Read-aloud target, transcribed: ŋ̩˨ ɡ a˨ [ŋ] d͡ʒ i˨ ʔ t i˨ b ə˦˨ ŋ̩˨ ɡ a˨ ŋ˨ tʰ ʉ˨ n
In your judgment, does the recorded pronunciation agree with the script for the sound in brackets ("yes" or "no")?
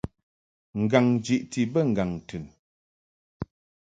yes